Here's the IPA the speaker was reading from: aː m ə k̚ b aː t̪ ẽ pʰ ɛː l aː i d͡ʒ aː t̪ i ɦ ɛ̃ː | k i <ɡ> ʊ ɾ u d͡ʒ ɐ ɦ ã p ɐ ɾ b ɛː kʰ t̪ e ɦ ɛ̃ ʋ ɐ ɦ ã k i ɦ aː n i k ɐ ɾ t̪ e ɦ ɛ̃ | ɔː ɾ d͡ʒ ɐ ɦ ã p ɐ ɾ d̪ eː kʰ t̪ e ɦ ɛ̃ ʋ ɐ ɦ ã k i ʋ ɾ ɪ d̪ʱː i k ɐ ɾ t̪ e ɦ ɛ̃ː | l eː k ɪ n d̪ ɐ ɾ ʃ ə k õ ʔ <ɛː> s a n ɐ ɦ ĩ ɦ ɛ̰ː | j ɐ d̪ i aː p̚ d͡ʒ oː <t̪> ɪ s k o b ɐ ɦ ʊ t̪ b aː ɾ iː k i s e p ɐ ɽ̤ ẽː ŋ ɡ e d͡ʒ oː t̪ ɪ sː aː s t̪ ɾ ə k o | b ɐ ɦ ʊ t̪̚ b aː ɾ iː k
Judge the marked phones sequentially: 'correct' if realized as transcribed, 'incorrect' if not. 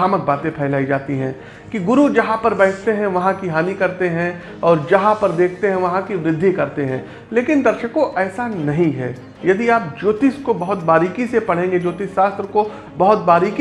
correct, correct, correct

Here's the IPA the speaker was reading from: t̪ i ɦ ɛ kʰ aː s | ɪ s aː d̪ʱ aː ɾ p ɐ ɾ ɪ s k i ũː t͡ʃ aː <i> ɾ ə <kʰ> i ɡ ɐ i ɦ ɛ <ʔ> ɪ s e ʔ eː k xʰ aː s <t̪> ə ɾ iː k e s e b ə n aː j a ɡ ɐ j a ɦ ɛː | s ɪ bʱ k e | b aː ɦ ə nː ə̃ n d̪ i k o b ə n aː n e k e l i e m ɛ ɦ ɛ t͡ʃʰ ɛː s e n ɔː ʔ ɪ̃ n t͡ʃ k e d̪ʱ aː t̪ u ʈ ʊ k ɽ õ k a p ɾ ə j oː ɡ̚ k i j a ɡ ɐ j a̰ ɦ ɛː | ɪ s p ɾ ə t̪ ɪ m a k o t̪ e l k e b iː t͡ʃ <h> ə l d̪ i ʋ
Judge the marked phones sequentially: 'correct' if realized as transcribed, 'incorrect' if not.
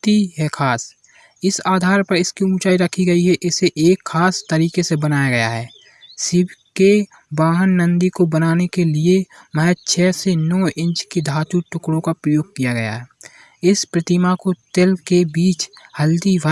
correct, correct, correct, correct, correct

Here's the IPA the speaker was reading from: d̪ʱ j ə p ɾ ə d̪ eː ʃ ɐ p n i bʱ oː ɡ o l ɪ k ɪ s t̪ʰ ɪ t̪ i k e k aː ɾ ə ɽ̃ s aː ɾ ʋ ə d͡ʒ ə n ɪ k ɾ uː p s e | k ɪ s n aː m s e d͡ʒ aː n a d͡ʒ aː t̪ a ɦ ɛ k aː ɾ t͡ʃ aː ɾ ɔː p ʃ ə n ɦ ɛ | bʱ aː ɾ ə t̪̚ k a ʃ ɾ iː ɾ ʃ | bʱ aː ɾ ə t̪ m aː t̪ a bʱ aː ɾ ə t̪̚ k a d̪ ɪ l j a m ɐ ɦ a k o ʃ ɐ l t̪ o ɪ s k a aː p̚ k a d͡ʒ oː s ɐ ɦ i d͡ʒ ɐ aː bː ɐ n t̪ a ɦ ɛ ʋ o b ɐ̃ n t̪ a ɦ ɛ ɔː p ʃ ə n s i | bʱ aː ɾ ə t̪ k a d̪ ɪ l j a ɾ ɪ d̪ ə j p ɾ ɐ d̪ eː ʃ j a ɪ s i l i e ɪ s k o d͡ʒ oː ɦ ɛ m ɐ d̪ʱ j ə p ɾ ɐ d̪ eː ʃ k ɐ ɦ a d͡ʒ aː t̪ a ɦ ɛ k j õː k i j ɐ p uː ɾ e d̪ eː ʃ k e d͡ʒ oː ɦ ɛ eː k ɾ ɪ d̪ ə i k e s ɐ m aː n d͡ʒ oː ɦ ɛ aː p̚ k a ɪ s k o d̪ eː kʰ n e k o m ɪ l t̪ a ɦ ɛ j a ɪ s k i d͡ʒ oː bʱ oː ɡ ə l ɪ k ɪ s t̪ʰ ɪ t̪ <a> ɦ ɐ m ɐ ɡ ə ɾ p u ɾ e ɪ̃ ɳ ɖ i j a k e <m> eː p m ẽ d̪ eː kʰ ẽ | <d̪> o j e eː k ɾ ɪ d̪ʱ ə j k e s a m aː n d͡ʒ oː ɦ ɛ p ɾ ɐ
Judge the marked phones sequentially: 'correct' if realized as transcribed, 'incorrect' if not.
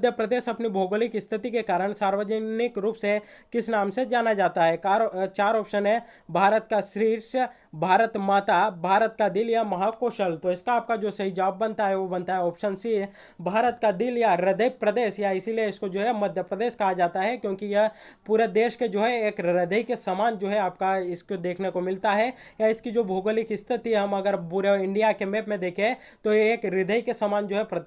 incorrect, correct, incorrect

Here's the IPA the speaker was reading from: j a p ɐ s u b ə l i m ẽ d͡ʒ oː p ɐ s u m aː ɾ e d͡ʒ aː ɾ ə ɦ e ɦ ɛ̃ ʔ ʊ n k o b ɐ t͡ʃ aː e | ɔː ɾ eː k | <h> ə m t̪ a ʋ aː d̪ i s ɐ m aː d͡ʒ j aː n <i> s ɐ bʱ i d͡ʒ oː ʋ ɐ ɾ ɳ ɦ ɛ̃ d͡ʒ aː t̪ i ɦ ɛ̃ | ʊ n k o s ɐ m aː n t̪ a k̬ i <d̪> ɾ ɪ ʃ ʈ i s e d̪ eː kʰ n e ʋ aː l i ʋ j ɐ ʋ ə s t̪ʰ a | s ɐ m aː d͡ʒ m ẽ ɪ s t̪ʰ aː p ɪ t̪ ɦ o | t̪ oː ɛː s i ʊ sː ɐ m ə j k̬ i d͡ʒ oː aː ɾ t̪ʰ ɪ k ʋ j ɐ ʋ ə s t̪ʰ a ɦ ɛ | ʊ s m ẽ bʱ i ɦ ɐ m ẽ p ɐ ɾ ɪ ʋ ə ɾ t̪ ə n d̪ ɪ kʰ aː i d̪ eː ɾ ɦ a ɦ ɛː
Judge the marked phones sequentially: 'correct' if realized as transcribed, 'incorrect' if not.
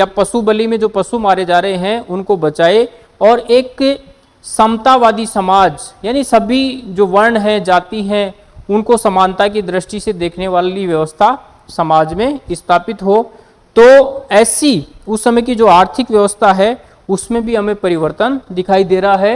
incorrect, correct, correct

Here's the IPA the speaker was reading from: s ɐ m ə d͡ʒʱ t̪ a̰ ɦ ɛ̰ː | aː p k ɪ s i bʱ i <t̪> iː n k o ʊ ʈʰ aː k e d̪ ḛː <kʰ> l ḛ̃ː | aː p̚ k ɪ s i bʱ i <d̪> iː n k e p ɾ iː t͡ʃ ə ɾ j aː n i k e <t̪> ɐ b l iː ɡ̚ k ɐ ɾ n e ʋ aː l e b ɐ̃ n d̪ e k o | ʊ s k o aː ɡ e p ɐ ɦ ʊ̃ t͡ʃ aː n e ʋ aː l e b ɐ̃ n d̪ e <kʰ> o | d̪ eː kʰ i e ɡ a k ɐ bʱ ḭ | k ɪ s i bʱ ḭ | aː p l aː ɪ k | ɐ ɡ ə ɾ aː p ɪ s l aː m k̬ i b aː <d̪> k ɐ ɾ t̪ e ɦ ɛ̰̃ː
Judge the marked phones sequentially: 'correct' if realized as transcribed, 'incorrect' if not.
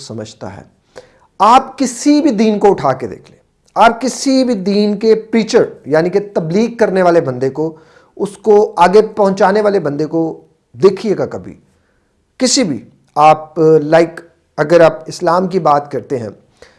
incorrect, correct, correct, correct, incorrect, incorrect

